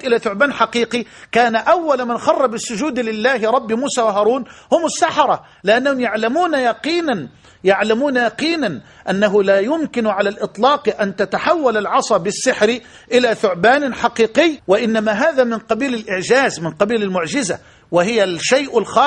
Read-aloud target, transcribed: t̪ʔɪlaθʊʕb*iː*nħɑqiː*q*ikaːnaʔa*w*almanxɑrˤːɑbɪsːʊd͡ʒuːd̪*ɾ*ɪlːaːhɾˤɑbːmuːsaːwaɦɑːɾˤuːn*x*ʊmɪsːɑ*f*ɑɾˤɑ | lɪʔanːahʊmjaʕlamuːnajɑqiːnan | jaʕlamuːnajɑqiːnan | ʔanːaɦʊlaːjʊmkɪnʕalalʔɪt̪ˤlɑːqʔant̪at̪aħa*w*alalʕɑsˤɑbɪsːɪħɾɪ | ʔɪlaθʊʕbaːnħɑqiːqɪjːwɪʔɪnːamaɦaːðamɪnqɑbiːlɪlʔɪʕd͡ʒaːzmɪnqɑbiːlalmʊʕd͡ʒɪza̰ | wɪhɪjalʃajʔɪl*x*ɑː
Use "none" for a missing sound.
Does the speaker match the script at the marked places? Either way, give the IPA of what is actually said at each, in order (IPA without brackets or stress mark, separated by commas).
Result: aː, q, wː, l, h, ħ, wː, x